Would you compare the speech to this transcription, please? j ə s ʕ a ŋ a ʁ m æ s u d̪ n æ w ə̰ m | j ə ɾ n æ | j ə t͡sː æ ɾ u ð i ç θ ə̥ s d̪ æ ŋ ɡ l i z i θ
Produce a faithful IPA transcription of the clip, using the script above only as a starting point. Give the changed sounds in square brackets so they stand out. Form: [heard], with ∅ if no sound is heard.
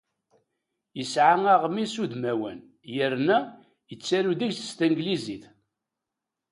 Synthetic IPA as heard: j ə s ʕ a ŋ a ʁ m [i] s u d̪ [m] æ w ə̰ [n] | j ə ɾ n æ | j ə t͡sː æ ɾ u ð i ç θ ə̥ s [t̪] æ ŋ ɡ l i z i θ